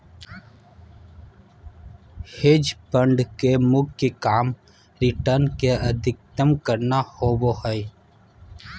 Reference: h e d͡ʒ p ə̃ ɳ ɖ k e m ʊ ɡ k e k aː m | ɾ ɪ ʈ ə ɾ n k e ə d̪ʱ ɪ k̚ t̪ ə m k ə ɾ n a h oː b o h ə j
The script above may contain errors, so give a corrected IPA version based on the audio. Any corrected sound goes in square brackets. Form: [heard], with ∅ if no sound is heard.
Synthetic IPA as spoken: h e d͡ʒ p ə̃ ɳ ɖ k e m ʊ ɡ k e k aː m | ɾ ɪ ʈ ə ɾ n k e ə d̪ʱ ɪ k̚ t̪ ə m k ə ɾ n a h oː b o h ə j